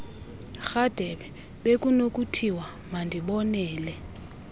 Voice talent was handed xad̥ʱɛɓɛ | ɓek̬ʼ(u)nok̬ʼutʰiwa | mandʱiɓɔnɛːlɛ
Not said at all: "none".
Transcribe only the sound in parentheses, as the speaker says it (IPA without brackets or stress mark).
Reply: u